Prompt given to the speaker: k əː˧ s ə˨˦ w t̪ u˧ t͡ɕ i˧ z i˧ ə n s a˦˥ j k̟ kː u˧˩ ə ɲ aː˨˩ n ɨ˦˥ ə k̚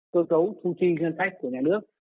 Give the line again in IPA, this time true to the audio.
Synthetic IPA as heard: k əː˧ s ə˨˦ w t̪ʰ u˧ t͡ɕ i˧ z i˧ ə n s a˦˥ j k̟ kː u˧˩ ə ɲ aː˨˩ n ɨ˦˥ ə k̚

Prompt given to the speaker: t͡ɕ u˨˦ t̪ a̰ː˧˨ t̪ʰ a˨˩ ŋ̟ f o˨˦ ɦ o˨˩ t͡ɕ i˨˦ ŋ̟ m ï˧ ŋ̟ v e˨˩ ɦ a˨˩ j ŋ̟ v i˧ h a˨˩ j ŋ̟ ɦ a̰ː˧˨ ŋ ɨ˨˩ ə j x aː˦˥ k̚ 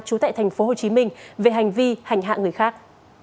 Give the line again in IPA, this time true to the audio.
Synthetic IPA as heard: t͡ɕ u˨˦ t̪ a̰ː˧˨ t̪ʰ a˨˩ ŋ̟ f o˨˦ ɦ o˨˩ t͡ɕ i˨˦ m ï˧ ŋ̟ v e˨˩ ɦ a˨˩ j ŋ̟ v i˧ h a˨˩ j ŋ̟ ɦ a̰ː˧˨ ŋ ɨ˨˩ ə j x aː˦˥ k̚

